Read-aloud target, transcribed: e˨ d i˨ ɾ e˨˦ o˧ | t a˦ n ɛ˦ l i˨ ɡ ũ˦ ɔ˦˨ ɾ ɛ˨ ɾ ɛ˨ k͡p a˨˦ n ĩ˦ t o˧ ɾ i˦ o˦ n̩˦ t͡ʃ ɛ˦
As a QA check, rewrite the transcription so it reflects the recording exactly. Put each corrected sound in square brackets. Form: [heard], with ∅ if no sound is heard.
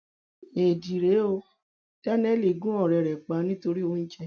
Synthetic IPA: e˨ d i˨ ɾ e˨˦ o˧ | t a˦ n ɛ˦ l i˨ ɡ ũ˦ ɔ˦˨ ɾ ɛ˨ ɾ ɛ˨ k͡p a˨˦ n ĩ˦ t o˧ ɾ i˦ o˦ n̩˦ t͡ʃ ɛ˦